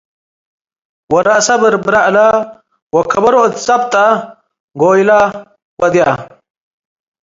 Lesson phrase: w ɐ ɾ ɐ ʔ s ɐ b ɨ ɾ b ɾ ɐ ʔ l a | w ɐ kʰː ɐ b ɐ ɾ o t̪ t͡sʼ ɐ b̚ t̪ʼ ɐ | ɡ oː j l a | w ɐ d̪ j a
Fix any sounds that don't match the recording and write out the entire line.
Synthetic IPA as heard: w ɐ ɾ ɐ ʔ s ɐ b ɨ ɾ b ɾ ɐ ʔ l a | w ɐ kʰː ɐ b ɐ ɾ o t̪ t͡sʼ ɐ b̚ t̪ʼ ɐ | ɡ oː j l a | w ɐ d̪ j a

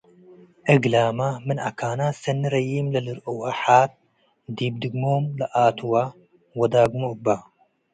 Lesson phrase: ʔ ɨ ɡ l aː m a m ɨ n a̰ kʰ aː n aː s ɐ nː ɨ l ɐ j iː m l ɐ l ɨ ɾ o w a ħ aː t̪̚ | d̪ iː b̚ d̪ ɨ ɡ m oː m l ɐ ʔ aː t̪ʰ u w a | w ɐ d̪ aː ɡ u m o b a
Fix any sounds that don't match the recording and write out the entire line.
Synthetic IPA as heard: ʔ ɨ ɡ l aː m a m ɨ n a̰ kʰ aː n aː s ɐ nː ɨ ɾ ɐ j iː m l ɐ l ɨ ɾ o w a ħ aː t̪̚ | d̪ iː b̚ d̪ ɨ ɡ m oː m l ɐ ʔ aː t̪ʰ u w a | w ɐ d̪ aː ɡ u m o b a

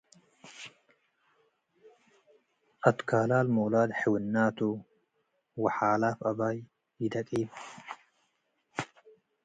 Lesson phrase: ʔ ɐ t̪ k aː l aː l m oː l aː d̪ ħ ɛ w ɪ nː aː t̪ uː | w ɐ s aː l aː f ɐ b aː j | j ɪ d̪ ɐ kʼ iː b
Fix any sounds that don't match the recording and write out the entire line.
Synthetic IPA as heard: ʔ ɐ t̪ k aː l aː l m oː l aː d̪ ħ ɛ w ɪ nː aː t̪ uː | w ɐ ħ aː l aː f ɐ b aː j | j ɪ d̪ ɐ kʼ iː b

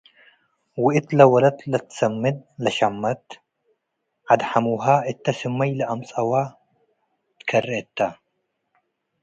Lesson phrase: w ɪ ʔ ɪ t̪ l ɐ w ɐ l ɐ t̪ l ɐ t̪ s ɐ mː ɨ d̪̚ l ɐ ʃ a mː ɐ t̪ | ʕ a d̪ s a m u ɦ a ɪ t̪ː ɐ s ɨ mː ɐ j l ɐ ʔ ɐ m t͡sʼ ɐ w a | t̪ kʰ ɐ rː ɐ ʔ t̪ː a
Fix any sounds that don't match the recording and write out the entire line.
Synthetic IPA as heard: w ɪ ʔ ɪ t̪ l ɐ w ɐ l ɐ t̪ l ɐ t̪ s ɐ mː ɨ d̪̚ l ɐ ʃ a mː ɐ t̪ | ʕ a d̪ ħ a m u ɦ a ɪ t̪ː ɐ s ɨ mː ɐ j l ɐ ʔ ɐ m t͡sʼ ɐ w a | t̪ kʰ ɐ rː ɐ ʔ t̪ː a

